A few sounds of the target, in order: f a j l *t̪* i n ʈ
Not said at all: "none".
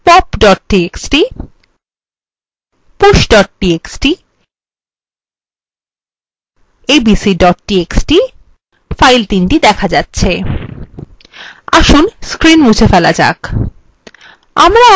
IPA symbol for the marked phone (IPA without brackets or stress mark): t̪